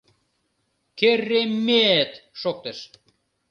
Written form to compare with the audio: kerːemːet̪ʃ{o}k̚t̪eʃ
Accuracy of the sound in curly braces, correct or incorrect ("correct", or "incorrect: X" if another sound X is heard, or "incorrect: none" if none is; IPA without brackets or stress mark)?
correct